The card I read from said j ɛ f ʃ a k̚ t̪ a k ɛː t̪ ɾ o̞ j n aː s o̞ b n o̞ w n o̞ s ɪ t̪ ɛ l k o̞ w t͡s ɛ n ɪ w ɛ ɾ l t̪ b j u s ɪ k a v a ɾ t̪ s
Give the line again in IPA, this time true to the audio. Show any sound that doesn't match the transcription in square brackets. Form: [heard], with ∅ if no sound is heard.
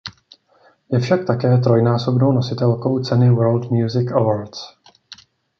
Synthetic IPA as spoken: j ɛ f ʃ a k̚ t̪ a k ɛː t̪ ɾ o̞ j n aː s o̞ b n o̞ w n o̞ s ɪ t̪ ɛ l k o̞ w t͡s ɛ n ɪ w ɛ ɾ l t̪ [m] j u [z] ɪ k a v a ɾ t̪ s